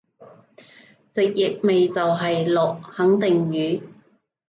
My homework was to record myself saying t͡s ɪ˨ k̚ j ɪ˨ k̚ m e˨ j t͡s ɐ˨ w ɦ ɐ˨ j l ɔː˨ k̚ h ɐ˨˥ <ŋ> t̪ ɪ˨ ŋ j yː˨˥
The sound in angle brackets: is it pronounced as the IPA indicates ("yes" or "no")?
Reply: yes